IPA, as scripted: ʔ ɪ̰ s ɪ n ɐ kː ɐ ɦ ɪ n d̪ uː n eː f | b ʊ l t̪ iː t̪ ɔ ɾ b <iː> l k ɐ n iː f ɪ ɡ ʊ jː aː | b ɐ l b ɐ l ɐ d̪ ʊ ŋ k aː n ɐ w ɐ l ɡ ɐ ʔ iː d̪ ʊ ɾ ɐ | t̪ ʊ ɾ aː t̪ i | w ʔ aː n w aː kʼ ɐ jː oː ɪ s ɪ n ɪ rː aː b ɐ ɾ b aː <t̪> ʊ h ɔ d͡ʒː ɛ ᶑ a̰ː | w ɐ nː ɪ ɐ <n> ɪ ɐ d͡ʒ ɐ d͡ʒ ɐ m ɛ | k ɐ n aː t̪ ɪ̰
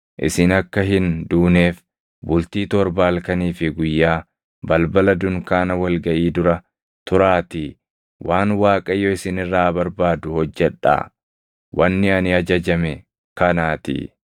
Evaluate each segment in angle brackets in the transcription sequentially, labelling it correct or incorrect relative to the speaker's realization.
incorrect: aː, incorrect: d̪, correct

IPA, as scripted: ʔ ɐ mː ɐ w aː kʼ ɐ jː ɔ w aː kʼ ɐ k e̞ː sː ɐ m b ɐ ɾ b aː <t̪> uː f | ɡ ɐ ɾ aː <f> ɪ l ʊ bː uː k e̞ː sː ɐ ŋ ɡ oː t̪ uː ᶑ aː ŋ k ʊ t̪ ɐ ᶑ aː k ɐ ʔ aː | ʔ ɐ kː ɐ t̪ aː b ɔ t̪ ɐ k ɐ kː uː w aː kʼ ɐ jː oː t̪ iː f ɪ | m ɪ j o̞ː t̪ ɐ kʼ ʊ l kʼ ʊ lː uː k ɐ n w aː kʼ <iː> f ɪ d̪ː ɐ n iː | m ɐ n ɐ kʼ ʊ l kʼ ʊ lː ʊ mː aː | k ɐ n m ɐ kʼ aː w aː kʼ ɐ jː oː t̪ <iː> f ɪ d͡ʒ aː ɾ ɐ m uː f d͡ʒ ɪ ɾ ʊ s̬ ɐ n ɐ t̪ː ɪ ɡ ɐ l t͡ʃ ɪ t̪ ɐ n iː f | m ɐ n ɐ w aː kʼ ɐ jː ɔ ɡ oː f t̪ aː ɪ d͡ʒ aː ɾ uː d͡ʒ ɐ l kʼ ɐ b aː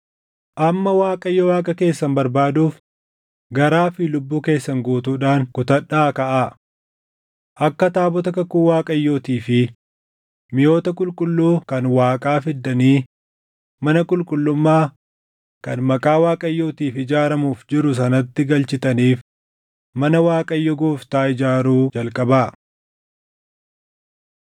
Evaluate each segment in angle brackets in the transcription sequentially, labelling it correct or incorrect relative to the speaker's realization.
incorrect: d̪, correct, incorrect: aː, correct

